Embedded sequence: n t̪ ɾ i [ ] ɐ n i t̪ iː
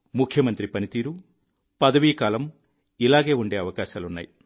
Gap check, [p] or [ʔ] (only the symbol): p